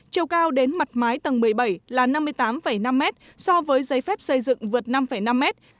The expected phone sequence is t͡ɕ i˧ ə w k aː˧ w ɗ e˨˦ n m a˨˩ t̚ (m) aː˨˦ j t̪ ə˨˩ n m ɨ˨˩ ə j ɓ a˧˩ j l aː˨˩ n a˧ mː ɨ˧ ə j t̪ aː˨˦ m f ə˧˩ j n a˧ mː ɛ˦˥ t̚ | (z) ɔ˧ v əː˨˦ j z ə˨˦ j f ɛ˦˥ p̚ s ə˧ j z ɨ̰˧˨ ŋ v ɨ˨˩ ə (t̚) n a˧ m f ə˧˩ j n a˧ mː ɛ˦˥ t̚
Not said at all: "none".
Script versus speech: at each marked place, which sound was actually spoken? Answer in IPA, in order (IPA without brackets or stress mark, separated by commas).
m, s, t̚